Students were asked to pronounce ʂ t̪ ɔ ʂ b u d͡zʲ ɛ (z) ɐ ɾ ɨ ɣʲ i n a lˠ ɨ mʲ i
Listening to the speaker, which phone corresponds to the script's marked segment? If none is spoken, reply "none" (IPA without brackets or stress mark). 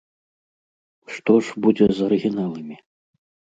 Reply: z